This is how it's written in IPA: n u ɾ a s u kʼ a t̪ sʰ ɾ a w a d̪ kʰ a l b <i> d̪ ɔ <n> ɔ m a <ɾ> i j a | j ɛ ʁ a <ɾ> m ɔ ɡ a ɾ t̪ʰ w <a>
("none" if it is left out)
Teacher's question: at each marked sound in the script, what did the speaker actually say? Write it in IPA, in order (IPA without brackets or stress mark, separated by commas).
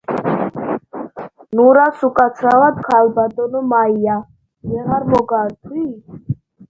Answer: a, n, none, ɾ, i